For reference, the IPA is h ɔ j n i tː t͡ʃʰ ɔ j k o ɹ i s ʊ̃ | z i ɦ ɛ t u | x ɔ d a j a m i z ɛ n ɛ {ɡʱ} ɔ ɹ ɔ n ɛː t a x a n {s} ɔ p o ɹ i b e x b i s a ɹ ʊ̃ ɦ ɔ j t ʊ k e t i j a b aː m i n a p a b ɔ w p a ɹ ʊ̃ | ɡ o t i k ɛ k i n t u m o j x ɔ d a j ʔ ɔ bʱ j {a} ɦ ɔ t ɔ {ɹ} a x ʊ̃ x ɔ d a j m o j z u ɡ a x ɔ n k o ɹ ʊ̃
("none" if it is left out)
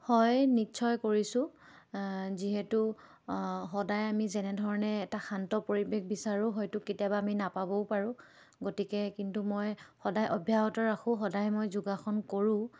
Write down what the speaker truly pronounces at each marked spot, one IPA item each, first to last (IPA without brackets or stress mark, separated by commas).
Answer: dʱ, t, a, ɹ